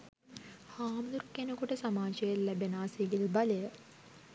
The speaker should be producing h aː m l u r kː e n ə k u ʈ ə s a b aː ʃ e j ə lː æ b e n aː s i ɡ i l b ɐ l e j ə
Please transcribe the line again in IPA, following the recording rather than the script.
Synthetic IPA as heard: h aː m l u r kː e n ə k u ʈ ə s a m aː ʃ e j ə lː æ b e n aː s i ɡ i l b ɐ l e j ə